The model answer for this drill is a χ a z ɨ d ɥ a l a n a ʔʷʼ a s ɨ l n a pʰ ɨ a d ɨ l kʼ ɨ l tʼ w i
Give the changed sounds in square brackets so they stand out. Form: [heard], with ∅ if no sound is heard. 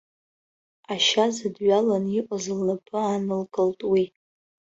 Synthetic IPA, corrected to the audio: a [ʃ] a z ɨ d ɥ a l a n [i] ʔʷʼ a [z] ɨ l n a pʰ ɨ a [n] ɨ l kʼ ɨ l tʼ w i

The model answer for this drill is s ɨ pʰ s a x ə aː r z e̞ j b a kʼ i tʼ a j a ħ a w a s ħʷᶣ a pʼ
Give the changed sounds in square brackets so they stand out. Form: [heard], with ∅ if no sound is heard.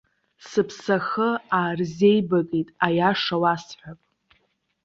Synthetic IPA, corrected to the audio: s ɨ pʰ s a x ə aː r z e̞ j b a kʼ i tʼ a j a [ʂ] a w a s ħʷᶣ a pʼ

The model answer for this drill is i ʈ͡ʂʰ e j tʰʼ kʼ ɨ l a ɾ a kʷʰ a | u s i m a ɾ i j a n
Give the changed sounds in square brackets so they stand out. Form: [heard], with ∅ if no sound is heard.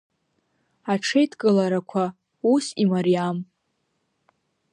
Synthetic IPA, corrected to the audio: [a] ʈ͡ʂʰ e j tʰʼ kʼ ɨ l a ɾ a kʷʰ a | u s i m a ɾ i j a [m]

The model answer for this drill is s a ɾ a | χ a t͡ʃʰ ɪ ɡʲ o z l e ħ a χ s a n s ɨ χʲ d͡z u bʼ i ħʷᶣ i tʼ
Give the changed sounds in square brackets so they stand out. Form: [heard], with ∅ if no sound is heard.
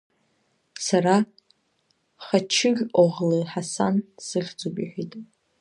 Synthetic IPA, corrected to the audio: s a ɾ a | χ a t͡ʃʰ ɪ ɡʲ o [ʁ] l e ħ a [∅] s a n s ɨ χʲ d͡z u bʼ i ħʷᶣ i tʼ

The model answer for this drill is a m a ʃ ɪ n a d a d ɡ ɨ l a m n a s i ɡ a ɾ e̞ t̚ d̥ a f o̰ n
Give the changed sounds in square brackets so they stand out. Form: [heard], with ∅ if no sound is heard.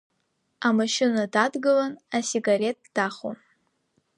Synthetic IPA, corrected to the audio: a m a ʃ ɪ n a d a d ɡ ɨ l a [∅] n a s i ɡ a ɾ e̞ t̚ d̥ a [χ] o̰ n

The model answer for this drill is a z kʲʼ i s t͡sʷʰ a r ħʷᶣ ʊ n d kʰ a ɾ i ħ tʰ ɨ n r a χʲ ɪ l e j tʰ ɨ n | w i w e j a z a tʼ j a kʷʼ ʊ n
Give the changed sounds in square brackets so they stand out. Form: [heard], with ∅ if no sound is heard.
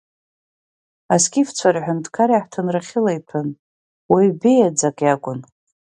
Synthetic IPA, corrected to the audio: a [s] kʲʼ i [f] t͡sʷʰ a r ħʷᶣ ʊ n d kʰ a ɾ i ħ tʰ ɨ n r a χʲ ɪ l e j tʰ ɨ n | w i [b] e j a [d͡z] a [kʼ] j a kʷʼ ʊ n

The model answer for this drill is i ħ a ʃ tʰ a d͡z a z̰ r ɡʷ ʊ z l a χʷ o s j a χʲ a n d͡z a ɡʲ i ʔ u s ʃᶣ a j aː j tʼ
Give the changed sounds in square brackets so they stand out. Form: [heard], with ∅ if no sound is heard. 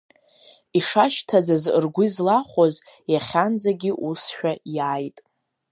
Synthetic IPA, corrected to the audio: i [ʂ] a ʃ tʰ a d͡z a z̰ r ɡʷ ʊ z l a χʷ o [z] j a χʲ a n d͡z a ɡʲ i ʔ u s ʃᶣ a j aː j tʼ

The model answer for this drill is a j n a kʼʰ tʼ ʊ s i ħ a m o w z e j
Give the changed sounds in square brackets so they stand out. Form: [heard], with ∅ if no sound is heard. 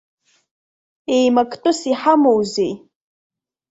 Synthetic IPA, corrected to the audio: [e] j [m] a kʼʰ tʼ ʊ s i ħ a m o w z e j

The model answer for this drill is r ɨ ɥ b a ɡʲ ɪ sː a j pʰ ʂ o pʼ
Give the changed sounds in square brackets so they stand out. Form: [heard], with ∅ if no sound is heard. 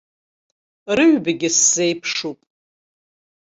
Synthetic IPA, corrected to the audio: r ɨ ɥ b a ɡʲ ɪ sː [e] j pʰ ʂ [u] pʼ

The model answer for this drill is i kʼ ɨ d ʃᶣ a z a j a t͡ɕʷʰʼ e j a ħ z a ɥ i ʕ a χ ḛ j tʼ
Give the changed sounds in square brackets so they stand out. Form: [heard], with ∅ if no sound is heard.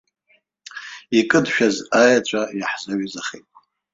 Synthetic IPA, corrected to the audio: i kʼ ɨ d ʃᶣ a z a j a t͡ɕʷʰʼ [a] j a ħ z a ɥ i [z] a χ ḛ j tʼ

